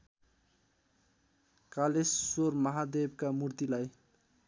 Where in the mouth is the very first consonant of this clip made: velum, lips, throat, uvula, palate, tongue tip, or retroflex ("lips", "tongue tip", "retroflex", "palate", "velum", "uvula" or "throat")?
velum